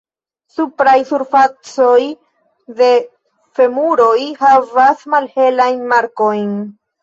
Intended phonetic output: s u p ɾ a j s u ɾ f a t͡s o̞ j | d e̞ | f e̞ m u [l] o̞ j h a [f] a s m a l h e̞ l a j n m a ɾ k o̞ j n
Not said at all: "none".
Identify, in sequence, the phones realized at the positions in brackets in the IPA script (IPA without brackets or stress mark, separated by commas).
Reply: ɾ, v